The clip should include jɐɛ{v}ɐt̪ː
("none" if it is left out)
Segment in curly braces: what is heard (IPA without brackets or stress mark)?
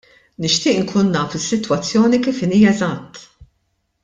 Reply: z